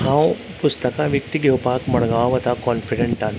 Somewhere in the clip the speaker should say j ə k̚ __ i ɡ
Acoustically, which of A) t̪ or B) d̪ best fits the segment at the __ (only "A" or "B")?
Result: A